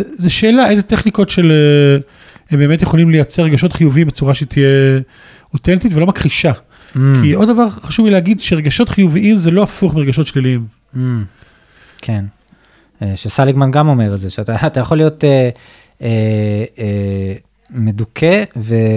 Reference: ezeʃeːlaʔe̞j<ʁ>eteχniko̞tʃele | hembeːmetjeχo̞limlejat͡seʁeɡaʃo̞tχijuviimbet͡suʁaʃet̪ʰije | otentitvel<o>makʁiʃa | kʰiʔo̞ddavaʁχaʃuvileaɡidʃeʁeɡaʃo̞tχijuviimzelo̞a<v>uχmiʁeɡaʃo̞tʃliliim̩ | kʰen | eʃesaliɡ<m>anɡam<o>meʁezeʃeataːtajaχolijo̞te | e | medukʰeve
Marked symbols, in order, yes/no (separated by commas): no, yes, no, yes, yes